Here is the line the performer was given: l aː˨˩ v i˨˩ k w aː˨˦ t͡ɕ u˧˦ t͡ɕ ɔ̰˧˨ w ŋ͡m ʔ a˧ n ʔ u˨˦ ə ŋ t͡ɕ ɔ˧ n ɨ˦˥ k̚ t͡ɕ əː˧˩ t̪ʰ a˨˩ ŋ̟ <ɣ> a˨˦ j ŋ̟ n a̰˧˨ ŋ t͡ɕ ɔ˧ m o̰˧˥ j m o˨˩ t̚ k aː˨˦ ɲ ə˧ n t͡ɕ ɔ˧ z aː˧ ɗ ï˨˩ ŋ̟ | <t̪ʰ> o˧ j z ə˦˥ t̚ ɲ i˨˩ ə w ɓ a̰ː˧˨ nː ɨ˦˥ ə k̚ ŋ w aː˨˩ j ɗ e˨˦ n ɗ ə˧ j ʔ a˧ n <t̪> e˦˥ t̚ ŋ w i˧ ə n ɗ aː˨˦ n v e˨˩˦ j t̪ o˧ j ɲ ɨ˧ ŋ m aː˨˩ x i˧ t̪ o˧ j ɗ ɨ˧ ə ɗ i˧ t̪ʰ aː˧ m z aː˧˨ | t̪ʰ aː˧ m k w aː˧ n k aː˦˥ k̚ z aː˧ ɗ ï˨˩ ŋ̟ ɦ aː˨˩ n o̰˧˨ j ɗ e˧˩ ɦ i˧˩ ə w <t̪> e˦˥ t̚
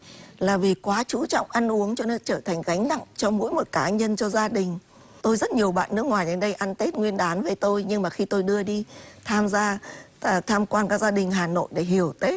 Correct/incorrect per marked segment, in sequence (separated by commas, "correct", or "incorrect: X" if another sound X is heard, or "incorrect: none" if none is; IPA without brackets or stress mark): correct, incorrect: t̪, correct, correct